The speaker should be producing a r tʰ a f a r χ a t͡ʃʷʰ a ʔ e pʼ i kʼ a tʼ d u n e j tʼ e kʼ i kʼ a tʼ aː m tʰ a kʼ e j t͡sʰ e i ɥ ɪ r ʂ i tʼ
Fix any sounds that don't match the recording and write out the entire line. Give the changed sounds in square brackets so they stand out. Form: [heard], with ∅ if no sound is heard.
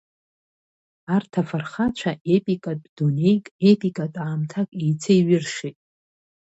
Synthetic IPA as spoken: a r tʰ a f a r χ a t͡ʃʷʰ a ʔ e pʼ i kʼ a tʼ d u n e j [kʼ] e [pʼ] i kʼ a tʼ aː m tʰ a kʼ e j t͡sʰ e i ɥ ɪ r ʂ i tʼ